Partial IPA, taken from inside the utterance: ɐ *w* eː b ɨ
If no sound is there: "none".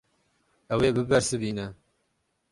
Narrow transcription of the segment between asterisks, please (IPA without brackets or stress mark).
w